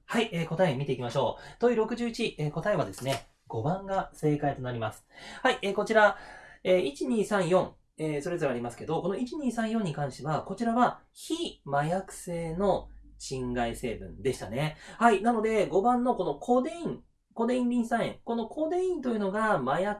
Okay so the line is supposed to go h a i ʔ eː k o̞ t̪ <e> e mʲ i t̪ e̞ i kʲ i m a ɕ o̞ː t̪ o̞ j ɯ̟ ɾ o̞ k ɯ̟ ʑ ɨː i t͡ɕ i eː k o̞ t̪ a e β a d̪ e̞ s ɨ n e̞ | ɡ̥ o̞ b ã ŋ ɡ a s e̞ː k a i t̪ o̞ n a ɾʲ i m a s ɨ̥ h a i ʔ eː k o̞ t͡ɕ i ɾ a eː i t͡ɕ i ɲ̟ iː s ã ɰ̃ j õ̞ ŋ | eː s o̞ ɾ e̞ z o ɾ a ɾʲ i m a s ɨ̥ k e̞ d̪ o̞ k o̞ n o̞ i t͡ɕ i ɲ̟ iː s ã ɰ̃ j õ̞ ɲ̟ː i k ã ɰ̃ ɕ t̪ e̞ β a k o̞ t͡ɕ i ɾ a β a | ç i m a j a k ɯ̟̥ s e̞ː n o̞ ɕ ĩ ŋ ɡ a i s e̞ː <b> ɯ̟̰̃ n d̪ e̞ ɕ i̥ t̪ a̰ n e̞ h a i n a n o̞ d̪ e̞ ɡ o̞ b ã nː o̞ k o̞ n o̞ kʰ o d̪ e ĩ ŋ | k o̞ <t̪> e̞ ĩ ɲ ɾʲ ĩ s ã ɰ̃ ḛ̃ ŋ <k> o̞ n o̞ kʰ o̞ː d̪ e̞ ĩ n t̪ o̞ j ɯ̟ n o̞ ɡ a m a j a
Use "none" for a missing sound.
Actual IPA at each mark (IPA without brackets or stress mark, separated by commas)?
a, b, d̪, k